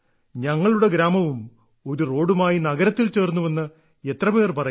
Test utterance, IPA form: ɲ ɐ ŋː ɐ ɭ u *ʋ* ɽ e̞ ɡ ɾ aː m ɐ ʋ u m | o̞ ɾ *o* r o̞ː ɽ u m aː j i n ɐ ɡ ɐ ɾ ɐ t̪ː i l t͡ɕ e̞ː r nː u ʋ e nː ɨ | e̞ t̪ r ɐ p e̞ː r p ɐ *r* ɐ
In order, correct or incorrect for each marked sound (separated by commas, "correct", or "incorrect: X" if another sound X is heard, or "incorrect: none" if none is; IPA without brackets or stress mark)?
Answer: incorrect: none, incorrect: u, correct